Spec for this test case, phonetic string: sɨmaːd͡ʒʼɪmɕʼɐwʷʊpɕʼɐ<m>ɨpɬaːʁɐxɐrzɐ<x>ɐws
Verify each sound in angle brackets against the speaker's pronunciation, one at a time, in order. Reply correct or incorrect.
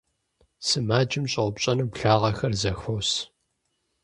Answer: incorrect, correct

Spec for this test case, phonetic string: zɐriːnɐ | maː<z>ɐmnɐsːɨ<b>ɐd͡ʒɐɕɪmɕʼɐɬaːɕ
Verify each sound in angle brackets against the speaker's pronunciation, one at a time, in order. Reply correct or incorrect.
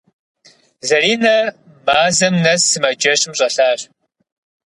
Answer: correct, incorrect

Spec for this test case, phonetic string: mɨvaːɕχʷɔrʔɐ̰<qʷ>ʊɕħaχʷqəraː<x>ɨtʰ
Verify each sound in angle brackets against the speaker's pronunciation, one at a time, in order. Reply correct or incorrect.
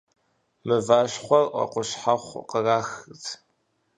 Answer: correct, correct

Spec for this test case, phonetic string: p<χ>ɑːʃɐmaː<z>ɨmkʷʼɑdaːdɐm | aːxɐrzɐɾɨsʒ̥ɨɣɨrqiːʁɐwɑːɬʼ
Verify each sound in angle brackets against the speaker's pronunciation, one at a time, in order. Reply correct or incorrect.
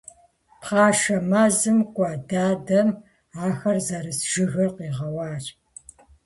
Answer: correct, correct

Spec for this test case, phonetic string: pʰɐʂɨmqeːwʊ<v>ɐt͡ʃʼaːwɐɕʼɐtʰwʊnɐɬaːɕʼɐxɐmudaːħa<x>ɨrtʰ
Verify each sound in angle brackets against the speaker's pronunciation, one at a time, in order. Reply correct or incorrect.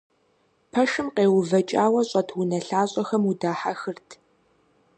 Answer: correct, correct

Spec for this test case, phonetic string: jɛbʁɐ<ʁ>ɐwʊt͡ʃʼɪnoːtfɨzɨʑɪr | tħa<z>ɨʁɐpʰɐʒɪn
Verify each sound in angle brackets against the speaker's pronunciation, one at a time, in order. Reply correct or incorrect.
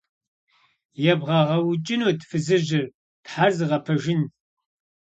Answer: correct, correct

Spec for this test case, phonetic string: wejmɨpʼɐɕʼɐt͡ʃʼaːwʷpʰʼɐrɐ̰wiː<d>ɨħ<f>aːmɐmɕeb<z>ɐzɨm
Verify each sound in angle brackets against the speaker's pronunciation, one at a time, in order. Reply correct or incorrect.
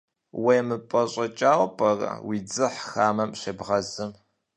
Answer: incorrect, incorrect, incorrect

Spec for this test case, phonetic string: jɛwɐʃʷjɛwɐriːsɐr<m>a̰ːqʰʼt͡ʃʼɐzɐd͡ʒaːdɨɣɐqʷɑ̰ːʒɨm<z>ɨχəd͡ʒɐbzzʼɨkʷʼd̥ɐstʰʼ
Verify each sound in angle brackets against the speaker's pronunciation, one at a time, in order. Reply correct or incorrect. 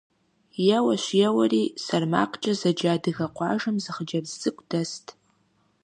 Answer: correct, correct

